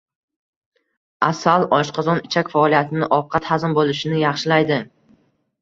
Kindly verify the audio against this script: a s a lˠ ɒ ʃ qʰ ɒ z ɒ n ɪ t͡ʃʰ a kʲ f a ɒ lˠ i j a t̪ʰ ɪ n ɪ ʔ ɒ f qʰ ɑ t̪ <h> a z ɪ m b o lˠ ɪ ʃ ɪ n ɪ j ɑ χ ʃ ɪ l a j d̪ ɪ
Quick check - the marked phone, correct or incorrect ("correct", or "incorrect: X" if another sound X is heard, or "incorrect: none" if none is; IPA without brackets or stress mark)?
correct